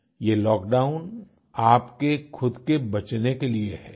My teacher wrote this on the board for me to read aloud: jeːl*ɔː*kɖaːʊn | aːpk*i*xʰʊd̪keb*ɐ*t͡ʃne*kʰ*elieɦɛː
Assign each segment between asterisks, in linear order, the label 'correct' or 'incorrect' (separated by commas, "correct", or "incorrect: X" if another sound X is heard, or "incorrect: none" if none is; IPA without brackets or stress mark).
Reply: correct, incorrect: e, correct, incorrect: k